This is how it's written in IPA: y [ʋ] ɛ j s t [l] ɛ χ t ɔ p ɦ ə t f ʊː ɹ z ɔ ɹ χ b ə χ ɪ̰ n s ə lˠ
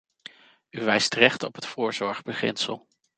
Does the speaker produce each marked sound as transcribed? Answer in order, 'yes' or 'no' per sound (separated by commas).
yes, no